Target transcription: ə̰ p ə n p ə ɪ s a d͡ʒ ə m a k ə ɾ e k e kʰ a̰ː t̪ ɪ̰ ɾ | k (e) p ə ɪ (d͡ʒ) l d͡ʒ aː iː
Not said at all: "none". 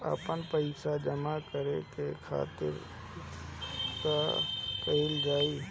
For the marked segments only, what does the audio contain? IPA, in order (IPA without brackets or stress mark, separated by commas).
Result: a, none